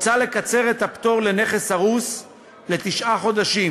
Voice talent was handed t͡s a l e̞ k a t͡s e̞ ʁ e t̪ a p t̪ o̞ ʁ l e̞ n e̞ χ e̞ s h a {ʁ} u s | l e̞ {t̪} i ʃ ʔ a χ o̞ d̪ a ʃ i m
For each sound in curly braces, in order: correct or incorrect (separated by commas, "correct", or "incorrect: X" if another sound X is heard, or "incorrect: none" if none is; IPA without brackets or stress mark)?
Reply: correct, correct